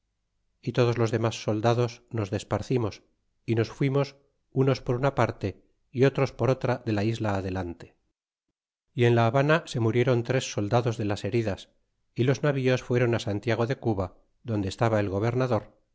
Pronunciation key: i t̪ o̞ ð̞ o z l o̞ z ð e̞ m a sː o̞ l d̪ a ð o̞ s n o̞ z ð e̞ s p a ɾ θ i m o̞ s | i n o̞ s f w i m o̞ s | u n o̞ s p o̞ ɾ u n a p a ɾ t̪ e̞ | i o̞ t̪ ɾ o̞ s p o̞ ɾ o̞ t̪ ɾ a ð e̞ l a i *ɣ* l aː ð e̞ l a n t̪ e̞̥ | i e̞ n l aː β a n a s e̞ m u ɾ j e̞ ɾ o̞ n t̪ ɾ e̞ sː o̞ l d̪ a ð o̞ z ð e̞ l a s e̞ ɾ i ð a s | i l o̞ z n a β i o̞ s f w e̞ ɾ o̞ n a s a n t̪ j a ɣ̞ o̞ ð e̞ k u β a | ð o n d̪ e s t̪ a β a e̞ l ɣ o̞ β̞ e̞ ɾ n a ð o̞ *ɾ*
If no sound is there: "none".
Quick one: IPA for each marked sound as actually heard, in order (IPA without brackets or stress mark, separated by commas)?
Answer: z, ɾ